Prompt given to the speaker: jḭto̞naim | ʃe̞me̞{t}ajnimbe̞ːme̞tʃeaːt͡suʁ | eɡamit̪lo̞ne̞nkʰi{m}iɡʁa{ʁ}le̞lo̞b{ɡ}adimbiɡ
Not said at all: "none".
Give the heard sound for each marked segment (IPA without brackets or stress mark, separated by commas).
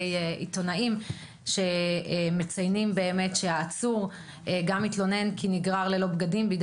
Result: t͡s, n, ʁ, ɡ